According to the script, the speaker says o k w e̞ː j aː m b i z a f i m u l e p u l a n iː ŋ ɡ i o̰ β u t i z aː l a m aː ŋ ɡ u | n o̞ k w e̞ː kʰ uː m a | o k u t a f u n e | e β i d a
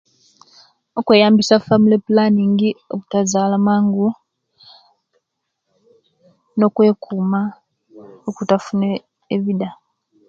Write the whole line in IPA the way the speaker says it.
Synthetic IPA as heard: o k w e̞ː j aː m b i s a f a m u l e p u l a n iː ŋ ɡ i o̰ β u t a z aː l a m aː ŋ ɡ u | n o̞ k w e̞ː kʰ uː m a | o k u t a f u n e | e β i d a